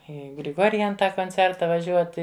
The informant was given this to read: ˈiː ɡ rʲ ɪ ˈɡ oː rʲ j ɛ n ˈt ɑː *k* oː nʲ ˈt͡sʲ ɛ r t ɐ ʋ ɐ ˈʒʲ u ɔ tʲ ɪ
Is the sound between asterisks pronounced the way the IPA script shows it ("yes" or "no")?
yes